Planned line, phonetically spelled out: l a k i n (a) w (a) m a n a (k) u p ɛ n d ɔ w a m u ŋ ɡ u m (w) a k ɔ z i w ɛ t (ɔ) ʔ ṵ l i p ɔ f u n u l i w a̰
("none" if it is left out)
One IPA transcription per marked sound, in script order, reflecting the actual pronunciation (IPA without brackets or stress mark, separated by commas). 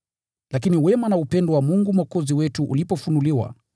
i, ɛ, none, w, u